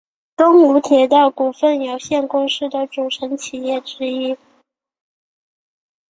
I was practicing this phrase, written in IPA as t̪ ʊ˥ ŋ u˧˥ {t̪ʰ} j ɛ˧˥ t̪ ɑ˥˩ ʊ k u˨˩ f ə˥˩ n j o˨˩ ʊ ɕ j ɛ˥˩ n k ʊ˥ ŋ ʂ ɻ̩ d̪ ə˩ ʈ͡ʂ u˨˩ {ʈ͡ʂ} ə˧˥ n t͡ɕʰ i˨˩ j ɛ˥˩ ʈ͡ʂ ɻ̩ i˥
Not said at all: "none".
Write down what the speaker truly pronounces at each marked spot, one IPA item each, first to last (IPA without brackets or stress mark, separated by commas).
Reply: t̪ʰ, ʈ͡ʂʰ